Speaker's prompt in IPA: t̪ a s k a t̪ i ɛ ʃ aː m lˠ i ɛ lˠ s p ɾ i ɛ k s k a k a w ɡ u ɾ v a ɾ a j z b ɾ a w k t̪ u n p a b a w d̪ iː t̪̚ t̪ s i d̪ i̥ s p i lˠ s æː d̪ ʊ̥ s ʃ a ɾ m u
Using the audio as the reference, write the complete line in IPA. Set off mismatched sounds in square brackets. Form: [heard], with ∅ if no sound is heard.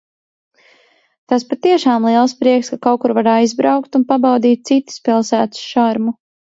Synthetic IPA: t̪ a s [p] a t̪ i ɛ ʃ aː m lˠ i ɛ lˠ s p ɾ i ɛ k s k a k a w [k] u ɾ v a ɾ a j z b ɾ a w k t̪ u n p a b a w d̪ iː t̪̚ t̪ s i [t̪] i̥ s p i lˠ s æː [t̪] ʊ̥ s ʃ a ɾ m u